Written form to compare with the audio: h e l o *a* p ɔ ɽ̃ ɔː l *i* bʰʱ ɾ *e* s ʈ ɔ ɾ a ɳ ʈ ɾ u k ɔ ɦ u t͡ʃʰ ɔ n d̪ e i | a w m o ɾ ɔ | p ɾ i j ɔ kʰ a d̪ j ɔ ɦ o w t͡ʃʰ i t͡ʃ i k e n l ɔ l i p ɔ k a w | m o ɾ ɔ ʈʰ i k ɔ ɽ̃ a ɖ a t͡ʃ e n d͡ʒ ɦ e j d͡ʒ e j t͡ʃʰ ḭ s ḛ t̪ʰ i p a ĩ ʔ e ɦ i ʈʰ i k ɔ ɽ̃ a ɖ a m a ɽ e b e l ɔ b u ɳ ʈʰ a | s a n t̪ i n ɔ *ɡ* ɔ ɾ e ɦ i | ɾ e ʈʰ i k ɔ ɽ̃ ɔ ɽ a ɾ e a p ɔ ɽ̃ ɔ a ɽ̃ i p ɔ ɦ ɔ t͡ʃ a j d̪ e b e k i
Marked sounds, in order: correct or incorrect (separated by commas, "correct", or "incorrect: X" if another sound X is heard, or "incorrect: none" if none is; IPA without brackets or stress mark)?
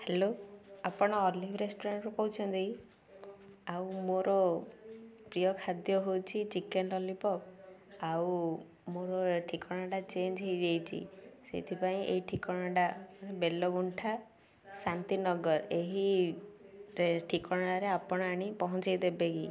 correct, correct, correct, correct